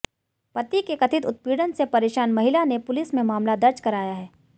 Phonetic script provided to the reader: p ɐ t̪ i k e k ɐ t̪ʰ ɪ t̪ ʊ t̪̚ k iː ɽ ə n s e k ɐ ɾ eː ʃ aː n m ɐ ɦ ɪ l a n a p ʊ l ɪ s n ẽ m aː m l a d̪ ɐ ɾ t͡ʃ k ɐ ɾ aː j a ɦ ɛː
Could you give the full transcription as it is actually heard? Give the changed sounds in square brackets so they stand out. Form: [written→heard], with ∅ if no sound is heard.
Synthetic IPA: p ɐ t̪ i k e k ɐ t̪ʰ ɪ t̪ ʊ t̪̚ [k→p] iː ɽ ə n s e [k→p] ɐ ɾ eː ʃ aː n m ɐ ɦ ɪ l a n [a→e] p ʊ l ɪ s [n→m] ẽ m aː m l a d̪ ɐ ɾ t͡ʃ k ɐ ɾ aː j a ɦ ɛː